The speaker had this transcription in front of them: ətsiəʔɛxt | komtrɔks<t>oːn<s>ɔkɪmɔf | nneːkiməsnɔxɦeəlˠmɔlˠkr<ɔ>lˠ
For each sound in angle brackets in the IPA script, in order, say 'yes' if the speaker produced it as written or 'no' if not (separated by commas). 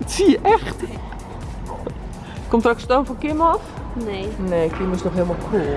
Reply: yes, no, no